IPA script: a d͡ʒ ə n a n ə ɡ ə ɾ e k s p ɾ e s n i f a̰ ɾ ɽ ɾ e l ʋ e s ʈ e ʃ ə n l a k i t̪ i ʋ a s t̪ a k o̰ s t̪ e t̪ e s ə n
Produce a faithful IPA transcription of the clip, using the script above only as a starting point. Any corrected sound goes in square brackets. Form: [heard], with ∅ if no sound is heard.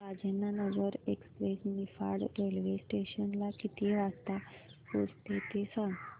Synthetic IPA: a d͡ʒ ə n a n ə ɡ ə ɾ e k s p ɾ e s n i f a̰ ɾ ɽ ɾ e l ʋ e s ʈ e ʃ ə n l a k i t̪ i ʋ a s t̪ a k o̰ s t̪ e t̪ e s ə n

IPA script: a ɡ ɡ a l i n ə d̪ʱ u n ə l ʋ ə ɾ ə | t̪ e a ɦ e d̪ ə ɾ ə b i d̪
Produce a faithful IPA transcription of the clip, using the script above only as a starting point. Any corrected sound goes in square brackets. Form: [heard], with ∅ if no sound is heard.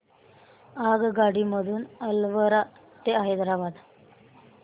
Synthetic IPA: a ɡ ɡ a [ɽ] i [m] ə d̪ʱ [uː] n ə l ʋ ə ɾ [a] | t̪ e a ɦ e d̪ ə ɾ [a] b [a] d̪

